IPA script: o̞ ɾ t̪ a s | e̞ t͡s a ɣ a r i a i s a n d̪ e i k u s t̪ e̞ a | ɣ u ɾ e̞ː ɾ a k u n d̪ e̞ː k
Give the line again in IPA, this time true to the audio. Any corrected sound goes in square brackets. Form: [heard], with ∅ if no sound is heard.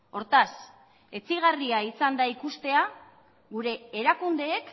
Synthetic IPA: o̞ ɾ t̪ a s | e̞ t͡s [i] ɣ a r i a i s a n d̪ [a] i k u s t̪ e̞ a | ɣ u ɾ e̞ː ɾ a k u n d̪ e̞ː k